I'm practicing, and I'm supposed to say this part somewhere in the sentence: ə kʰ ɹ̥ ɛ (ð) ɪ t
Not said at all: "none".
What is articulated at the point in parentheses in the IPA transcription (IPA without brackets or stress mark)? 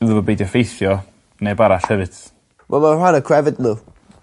v